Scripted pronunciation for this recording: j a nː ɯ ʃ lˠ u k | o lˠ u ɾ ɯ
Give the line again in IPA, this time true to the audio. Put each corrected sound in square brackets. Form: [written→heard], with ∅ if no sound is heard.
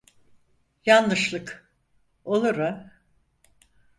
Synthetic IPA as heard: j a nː ɯ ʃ lˠ [u→ɯ] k | o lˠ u ɾ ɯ